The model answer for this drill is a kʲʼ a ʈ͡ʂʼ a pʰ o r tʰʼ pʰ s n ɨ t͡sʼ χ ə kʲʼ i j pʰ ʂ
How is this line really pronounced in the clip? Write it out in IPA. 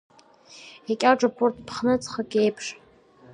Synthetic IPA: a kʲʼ a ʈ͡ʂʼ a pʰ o r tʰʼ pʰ χ n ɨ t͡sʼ χ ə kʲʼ e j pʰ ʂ